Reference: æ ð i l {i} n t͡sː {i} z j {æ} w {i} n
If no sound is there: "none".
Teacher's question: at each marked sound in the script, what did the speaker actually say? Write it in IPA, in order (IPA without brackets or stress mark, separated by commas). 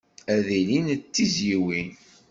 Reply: i, i, i, i